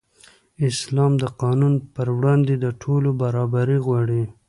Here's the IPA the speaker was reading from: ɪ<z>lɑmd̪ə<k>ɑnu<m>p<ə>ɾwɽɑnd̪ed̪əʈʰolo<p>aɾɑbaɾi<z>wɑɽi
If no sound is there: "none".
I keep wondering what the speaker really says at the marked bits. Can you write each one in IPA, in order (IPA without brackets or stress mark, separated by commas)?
s, q, n, ə, b, ɣ